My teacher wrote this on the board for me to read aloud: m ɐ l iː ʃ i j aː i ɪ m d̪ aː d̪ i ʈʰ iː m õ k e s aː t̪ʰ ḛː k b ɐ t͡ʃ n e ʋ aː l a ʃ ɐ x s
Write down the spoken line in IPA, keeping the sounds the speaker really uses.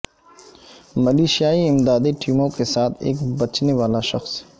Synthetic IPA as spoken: m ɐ l iː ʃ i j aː i ɪ m d̪ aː d̪ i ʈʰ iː m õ k e s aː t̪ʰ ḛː k b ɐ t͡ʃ n e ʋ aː l a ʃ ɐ x s